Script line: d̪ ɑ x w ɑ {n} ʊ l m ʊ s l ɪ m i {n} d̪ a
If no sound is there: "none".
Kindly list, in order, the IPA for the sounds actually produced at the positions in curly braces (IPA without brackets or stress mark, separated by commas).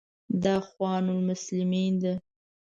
n, n